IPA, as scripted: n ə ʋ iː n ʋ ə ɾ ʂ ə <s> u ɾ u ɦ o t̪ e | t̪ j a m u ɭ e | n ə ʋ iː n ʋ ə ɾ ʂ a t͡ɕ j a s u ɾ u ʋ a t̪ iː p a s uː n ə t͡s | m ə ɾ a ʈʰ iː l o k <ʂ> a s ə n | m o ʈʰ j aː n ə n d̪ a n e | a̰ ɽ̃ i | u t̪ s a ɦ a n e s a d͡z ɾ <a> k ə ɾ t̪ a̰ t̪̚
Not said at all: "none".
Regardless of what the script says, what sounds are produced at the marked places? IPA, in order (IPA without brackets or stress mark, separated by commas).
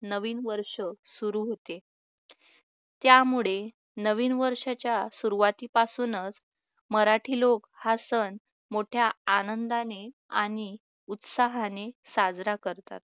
s, h, a